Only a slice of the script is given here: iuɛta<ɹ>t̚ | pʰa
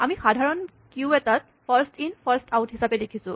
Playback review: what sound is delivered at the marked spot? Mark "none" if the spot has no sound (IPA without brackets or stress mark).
none